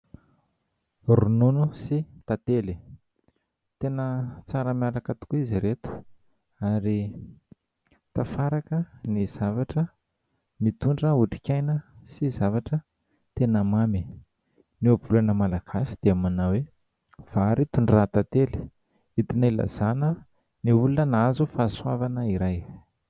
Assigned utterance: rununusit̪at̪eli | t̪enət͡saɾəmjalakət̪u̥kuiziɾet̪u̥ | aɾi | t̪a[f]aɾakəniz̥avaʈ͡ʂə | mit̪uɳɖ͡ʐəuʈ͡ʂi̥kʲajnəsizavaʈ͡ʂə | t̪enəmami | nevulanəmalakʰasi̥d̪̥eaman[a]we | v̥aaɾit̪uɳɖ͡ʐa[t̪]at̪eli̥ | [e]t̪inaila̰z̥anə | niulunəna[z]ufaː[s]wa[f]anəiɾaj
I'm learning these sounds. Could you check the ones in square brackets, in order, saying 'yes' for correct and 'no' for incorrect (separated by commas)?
yes, yes, yes, no, yes, yes, no